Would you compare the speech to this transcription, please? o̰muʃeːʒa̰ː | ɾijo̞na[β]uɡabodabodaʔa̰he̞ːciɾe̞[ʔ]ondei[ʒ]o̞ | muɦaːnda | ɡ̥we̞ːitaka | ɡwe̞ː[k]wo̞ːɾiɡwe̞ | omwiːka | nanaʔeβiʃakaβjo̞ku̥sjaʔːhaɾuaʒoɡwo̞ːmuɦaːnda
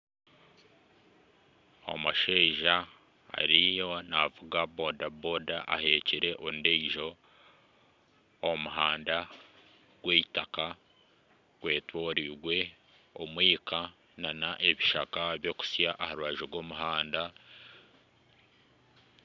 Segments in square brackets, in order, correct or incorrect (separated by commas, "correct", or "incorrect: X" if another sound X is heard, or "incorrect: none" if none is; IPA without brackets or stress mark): incorrect: v, correct, correct, incorrect: t